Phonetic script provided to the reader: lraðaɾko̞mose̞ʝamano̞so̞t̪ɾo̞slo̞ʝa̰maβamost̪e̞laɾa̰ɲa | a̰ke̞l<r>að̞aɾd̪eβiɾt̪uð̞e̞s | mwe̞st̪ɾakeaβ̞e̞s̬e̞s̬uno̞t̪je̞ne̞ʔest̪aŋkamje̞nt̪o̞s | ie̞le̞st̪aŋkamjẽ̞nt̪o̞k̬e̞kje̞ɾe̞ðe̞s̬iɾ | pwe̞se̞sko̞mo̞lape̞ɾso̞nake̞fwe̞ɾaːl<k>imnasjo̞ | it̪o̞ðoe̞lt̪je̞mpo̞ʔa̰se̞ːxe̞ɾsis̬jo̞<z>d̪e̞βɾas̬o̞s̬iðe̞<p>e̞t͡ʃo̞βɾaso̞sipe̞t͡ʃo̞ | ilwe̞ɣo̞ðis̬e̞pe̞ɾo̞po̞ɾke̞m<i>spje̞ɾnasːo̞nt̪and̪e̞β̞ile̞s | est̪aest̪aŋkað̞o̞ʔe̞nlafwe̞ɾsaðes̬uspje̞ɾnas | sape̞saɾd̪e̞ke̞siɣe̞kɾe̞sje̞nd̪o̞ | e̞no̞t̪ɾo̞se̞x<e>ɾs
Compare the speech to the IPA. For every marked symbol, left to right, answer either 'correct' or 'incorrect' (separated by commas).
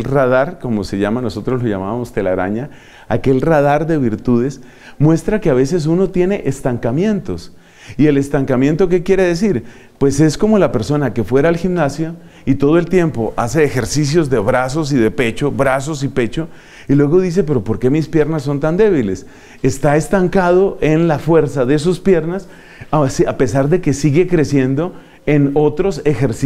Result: correct, incorrect, correct, correct, correct, correct